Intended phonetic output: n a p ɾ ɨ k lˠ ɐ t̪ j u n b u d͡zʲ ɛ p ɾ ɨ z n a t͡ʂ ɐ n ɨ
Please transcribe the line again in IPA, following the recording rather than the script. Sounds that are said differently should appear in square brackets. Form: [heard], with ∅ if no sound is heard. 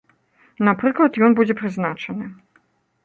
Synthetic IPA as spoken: n a p ɾ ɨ k lˠ ɐ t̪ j [ɔ] n b u d͡zʲ ɛ p ɾ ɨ z n a t͡ʂ ɐ n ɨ